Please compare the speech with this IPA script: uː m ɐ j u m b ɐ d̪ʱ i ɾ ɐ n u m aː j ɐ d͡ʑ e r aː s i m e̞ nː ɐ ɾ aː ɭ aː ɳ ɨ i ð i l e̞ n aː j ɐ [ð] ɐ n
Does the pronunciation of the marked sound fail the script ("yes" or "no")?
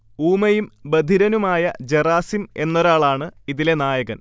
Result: yes